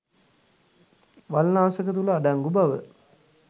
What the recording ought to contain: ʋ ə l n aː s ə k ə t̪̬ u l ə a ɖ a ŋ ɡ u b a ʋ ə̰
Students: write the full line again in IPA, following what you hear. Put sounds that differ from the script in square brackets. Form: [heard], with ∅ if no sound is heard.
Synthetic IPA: ʋ [a] l n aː s ə k ə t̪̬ u l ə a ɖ a ŋ ɡ u b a ʋ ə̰